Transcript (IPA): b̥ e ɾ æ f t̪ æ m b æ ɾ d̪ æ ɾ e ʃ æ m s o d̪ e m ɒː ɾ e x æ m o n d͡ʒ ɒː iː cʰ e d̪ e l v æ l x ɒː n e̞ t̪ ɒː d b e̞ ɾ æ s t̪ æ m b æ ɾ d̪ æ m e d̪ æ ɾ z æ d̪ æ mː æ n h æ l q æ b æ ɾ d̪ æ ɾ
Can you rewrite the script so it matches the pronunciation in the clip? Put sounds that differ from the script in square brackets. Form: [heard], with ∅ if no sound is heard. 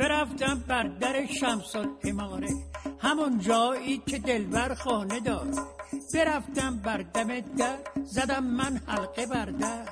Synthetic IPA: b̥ e ɾ æ f t̪ æ m b æ ɾ d̪ æ ɾ e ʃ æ m s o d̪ e m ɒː ɾ e [h] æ m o n d͡ʒ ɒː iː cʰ e d̪ e l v æ [ɾ] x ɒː n e̞ [d̪] ɒː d b e̞ ɾ æ [f] t̪ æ m b æ ɾ d̪ æ m e d̪ æ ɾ z æ d̪ æ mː æ n h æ l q [e] b æ ɾ d̪ æ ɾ